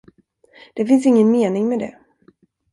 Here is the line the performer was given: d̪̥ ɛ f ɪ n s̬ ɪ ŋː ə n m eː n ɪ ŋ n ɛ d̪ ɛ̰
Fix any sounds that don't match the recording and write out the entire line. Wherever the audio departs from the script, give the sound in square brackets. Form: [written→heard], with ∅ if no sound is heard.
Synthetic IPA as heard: d̪̥ ɛ f ɪ n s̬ ɪ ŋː ə n m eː n ɪ ŋ [n→m] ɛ d̪ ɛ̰